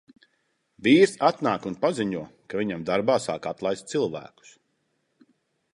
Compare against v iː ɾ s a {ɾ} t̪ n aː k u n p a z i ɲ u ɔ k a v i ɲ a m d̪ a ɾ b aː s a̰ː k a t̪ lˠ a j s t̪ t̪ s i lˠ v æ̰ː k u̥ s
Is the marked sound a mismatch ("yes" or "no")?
yes